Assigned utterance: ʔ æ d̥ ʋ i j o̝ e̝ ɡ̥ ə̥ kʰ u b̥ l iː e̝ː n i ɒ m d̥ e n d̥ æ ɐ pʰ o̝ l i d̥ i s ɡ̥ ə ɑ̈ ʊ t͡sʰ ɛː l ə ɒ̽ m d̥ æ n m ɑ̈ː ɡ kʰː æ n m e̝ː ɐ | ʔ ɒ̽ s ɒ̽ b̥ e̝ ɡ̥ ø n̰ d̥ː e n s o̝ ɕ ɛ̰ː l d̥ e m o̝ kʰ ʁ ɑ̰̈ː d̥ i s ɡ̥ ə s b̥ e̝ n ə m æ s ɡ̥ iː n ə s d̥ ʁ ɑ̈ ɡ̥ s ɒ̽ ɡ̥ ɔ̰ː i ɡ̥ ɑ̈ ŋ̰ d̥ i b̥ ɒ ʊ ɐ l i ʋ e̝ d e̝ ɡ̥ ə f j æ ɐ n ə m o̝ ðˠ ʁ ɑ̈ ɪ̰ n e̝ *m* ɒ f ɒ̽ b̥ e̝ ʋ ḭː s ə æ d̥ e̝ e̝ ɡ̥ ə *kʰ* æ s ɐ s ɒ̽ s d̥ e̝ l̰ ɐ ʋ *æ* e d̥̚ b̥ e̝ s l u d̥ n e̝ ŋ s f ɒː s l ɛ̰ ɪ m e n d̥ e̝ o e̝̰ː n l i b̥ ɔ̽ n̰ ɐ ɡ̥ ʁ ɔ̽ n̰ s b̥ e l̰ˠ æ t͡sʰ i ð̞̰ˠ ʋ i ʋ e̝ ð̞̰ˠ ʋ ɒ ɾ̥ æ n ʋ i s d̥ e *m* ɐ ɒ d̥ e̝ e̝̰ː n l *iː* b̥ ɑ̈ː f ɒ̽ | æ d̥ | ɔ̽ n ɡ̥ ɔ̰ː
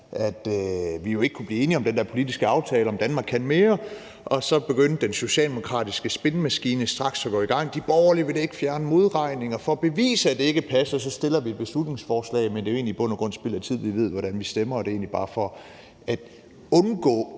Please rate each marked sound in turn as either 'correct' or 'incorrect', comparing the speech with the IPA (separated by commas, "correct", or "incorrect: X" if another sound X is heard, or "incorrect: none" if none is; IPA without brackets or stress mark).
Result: incorrect: ŋ, incorrect: pʰ, incorrect: i, correct, incorrect: i